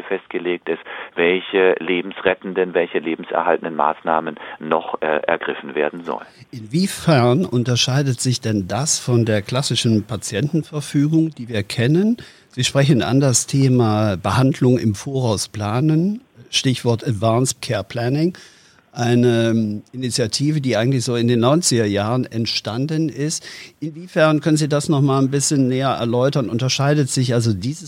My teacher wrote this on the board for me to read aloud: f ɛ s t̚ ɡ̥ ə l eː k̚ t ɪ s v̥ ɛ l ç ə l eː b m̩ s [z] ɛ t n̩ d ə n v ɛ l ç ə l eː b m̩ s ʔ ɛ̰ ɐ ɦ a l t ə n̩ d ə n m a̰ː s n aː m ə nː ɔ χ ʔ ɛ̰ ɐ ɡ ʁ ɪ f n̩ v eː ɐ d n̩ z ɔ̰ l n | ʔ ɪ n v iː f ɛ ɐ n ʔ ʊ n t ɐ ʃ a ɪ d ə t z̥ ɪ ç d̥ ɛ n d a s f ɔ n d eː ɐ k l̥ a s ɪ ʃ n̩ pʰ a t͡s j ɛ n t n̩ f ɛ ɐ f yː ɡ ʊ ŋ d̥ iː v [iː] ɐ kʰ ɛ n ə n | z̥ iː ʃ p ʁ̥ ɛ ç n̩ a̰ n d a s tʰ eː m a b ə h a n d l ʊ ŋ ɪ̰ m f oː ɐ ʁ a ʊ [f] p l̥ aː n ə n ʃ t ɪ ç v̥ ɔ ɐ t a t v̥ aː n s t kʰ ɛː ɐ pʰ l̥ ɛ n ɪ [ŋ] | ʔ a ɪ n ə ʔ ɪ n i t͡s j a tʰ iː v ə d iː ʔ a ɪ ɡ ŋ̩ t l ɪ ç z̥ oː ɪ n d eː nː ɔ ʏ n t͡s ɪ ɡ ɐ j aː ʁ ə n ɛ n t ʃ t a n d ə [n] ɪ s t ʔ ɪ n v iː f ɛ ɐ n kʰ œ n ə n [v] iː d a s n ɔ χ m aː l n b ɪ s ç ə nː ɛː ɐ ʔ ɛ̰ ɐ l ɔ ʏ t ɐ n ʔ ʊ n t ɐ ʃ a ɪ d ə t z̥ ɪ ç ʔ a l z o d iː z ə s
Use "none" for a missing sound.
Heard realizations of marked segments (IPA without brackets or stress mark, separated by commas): ʁ, iː, s, ŋ, n, z